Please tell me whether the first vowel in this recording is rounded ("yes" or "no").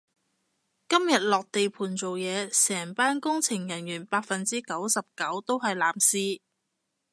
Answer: no